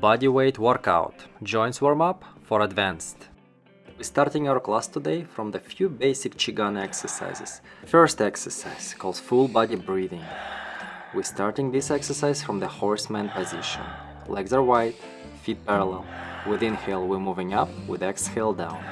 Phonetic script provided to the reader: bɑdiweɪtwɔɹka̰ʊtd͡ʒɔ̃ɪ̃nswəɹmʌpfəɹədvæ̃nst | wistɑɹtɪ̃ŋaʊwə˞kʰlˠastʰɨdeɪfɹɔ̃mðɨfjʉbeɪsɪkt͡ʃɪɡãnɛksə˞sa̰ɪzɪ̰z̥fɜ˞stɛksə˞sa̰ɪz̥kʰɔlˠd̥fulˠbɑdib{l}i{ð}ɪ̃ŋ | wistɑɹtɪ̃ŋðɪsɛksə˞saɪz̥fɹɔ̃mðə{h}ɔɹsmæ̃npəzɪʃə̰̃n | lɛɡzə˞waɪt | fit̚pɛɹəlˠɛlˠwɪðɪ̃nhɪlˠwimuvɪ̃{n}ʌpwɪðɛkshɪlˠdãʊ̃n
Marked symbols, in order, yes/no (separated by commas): no, yes, yes, no